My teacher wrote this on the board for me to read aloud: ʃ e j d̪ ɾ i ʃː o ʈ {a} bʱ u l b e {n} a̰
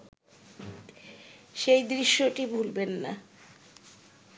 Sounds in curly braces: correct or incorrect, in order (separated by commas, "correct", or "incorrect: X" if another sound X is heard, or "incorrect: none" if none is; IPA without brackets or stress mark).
incorrect: i, incorrect: nː